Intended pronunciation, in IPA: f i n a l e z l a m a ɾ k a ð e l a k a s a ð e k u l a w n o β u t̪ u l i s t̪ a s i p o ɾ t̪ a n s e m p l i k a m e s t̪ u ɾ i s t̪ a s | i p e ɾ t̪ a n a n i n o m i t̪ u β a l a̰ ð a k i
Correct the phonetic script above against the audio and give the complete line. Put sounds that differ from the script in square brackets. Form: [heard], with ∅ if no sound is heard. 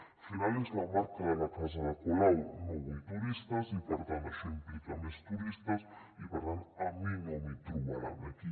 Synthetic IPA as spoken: f i n a l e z l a m a ɾ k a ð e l a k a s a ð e k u l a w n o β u t̪ u [ɾ] i s t̪ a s i p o ɾ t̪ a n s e m p l i k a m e s t̪ u ɾ i s t̪ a s | i p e ɾ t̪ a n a [m] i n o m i t̪ u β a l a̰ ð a k i